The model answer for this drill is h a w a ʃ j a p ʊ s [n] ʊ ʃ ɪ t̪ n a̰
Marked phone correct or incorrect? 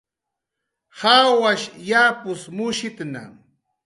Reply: incorrect